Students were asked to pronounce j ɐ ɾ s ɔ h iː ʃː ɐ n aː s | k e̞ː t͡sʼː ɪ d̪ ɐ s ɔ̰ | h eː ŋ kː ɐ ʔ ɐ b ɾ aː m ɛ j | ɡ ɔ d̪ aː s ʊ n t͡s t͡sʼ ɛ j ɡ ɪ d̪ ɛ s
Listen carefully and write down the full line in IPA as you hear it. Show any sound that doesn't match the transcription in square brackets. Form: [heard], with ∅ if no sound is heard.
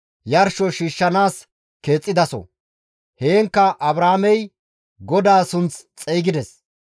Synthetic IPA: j ɐ ɾ [ʃ] ɔ [ʃ] iː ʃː ɐ n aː s | k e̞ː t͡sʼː ɪ d̪ ɐ s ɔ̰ | h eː ŋ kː ɐ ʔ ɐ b ɾ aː m ɛ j | ɡ ɔ d̪ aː s ʊ n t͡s t͡sʼ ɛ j ɡ ɪ d̪ ɛ s